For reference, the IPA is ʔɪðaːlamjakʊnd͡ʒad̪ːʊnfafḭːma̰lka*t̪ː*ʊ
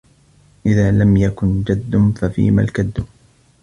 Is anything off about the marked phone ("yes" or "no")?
yes